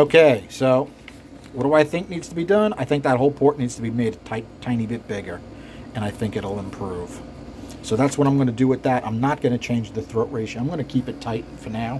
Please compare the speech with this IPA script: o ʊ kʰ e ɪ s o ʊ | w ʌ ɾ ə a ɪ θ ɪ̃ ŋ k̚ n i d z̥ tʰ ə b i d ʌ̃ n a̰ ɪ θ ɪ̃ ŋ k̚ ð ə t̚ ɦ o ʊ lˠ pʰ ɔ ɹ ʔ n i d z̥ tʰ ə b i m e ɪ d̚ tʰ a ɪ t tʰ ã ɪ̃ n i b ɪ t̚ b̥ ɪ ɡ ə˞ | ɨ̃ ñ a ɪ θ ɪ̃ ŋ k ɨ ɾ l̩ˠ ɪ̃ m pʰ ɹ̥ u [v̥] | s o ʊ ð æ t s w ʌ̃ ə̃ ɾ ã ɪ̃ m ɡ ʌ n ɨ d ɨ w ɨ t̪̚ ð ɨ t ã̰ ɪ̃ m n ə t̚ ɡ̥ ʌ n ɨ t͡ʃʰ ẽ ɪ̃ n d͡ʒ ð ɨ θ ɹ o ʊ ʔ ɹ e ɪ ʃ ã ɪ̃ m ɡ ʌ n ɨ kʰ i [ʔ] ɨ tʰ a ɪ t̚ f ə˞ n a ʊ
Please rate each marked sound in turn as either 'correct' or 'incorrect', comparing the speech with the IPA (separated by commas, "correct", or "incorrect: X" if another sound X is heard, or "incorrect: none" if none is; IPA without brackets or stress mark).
correct, incorrect: p